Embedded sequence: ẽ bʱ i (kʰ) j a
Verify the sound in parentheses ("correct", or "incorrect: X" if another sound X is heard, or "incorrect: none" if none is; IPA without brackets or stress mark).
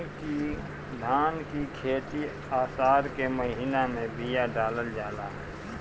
incorrect: none